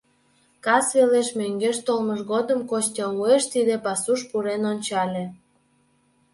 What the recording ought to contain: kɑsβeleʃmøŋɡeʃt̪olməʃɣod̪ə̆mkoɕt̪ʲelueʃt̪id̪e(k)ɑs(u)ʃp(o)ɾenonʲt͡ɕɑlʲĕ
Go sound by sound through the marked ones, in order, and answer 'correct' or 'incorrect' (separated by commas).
incorrect, correct, incorrect